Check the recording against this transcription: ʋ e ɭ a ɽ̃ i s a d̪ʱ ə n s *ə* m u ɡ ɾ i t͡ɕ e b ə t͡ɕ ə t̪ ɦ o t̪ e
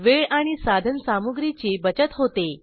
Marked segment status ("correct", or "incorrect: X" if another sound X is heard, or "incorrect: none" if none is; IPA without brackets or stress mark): incorrect: a